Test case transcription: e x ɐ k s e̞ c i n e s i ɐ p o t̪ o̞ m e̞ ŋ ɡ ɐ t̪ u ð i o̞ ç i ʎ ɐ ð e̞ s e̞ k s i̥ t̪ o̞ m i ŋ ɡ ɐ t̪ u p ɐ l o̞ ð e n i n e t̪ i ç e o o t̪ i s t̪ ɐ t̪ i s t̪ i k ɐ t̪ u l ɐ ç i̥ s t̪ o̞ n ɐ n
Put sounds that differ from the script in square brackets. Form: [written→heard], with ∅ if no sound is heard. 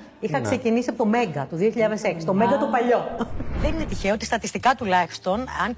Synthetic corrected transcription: [e→i] x ɐ k s e̞ c i n [e→i] s i ɐ p o t̪ o̞ m e̞ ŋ ɡ ɐ t̪ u ð i o̞ ç i ʎ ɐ ð e̞ s e̞ k s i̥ t̪ o̞ m [i→e] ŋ ɡ ɐ t̪ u p ɐ [l→ʎ] o̞ ð e n i n e t̪ i ç e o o t̪ i s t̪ ɐ t̪ i s t̪ i k ɐ t̪ u l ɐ ç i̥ s t̪ o̞ n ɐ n